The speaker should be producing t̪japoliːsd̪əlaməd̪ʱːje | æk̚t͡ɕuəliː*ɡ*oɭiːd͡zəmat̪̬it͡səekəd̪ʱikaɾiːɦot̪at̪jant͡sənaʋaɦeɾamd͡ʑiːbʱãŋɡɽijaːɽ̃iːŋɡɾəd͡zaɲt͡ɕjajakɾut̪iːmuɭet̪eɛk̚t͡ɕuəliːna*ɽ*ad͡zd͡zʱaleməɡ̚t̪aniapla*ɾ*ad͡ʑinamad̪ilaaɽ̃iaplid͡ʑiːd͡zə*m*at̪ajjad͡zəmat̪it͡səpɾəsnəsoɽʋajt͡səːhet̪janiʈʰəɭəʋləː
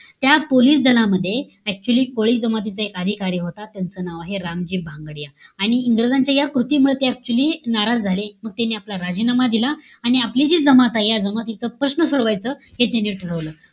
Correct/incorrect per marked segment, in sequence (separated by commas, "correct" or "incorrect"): incorrect, incorrect, correct, correct